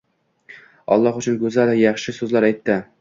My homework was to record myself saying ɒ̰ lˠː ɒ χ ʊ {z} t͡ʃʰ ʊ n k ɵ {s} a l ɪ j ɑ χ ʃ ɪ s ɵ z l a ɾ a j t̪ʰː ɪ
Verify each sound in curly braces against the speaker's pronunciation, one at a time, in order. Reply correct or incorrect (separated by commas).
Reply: incorrect, incorrect